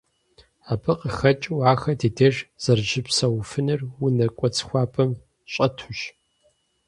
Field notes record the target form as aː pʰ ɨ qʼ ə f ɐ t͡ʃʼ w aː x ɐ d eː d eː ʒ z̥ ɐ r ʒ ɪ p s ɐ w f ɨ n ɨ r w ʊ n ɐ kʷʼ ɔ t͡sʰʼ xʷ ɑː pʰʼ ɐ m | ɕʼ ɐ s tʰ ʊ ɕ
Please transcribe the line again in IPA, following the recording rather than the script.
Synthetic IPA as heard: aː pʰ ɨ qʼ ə x ɐ t͡ʃʼ w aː x ɐ d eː d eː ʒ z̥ ɐ r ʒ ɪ p s ɐ w f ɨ n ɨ r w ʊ n ɐ kʷʼ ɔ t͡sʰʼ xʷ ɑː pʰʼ ɐ m | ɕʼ ɐ tʰ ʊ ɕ